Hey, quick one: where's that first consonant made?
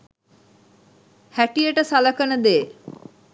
throat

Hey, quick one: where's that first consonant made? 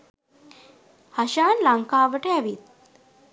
throat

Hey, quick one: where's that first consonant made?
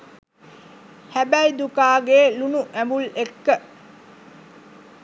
throat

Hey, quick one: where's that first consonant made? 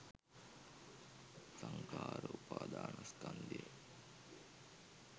tongue tip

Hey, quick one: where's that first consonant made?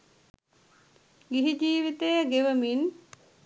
velum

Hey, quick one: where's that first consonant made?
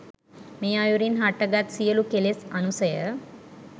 lips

